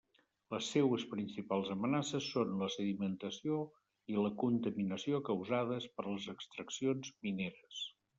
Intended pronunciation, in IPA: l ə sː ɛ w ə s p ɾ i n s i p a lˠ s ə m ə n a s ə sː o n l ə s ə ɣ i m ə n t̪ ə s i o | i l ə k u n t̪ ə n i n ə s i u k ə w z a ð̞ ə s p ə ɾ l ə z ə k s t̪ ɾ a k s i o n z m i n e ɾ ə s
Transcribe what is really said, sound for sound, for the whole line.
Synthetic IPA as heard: l ə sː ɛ w ə s p ɾ i n s i p a lˠ z ə m ə n a s ə sː o n l ə s ə ð i m ə n t̪ ə s i o | i l ə k u n t̪ ə m i n ə s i o k ə w z a ð̞ ə s p ə ɾ l ə z ə k s t̪ ɾ ə k s i o n z m i n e ɾ ə s